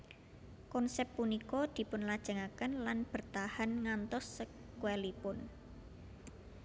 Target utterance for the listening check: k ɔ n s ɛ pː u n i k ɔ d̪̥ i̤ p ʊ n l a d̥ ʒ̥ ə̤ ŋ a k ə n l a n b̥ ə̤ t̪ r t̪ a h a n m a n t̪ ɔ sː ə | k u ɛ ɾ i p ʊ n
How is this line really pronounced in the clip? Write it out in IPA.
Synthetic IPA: k ɔ n s ɛ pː u n i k ɔ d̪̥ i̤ p ʊ n l a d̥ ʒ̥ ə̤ ŋ a k ə n l a n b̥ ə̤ r t̪ a h a n ŋ a n t̪ ɔ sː ə | k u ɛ l i p ʊ n